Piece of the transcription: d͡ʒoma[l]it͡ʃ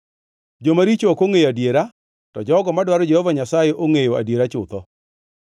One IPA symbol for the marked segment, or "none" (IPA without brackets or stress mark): ɾ